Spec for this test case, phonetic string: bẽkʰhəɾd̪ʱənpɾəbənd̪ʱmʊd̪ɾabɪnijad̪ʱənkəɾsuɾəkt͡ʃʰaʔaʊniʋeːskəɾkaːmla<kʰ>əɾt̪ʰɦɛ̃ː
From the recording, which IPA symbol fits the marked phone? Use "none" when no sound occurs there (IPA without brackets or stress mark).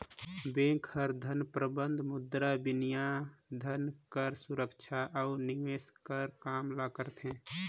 k